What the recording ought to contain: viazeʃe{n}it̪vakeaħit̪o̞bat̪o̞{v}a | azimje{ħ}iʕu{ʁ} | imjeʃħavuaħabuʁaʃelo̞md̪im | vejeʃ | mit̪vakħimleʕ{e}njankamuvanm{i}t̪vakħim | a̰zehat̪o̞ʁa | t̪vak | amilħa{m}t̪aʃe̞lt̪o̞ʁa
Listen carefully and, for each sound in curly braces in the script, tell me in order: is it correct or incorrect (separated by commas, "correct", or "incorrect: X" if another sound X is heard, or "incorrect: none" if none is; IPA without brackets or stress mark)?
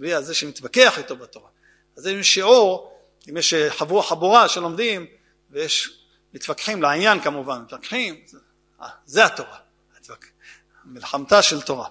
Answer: incorrect: m, incorrect: ʁ, incorrect: ʃ, correct, incorrect: i, correct, correct